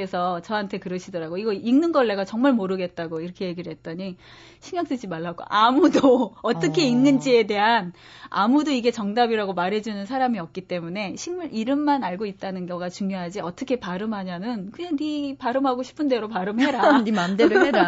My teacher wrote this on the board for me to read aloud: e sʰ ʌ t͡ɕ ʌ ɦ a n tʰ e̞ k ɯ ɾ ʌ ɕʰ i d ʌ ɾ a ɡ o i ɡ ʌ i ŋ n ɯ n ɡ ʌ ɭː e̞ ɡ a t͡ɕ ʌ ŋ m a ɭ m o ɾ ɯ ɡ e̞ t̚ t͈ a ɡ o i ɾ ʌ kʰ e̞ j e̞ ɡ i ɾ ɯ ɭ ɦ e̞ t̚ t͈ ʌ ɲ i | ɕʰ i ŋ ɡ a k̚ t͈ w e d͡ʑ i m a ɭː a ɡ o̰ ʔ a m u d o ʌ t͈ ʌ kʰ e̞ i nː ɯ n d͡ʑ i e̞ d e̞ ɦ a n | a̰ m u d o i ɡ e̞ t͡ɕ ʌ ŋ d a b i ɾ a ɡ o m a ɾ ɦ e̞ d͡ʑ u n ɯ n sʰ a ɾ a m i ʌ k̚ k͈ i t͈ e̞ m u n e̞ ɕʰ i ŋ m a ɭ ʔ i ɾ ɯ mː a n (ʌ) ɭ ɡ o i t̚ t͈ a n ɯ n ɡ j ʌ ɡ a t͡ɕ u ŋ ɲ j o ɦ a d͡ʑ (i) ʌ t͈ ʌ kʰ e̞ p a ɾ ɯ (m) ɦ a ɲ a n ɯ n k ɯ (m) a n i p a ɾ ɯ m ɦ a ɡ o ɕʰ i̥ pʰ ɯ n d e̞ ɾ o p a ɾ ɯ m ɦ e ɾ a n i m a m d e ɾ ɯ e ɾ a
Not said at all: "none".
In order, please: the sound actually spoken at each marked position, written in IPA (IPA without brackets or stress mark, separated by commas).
a, i, m, ɲ